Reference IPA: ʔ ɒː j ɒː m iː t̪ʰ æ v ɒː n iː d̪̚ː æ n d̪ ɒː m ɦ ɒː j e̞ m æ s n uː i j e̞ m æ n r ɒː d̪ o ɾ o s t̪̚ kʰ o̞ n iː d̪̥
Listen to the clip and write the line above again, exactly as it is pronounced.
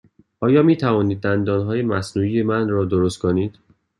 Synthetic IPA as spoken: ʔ ɒː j ɒː m iː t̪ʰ æ v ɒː n iː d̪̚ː æ n d̪ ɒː n ɦ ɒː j e̞ m æ s n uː i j e̞ m æ n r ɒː d̪ o ɾ o s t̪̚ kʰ o̞ n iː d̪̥